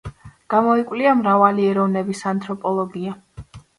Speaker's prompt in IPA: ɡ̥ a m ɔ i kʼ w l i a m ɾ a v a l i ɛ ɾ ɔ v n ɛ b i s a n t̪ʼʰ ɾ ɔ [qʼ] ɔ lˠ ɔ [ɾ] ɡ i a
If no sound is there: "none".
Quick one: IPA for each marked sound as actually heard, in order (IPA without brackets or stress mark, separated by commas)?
pʼ, none